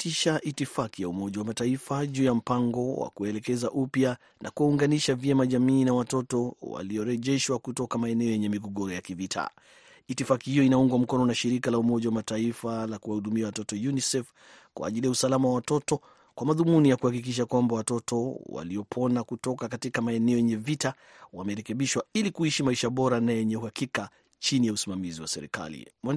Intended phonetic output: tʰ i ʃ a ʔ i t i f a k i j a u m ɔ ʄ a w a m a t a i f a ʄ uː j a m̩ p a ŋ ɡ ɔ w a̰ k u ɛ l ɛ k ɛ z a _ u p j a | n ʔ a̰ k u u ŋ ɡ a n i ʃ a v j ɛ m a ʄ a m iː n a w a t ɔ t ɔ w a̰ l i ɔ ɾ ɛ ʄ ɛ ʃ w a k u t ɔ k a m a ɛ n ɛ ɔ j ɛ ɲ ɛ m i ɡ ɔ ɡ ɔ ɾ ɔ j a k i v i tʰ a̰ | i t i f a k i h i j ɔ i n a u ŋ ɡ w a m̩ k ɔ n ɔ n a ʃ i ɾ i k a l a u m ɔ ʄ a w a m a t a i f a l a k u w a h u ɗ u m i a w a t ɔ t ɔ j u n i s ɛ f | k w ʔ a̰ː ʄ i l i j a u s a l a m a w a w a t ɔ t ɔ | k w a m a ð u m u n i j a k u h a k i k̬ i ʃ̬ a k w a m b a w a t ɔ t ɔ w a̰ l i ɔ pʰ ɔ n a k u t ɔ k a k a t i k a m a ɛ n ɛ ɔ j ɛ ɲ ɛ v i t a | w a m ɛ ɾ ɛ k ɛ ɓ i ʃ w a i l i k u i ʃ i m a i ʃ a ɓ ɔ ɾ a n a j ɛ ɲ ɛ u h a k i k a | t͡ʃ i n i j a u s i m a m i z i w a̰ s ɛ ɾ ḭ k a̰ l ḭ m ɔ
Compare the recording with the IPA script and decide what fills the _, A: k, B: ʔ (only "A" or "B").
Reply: B